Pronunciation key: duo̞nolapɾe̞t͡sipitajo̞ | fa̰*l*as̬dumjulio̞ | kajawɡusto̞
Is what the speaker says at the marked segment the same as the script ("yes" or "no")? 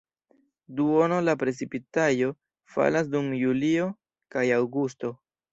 yes